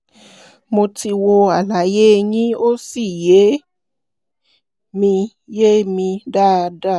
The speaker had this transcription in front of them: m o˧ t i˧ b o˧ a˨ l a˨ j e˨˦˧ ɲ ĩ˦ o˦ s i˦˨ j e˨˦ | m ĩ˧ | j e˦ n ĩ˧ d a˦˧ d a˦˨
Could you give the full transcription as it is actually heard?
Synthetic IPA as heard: m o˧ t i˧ w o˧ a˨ l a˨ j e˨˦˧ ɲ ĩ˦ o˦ s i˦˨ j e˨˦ | m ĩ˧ | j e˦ m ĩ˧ d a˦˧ d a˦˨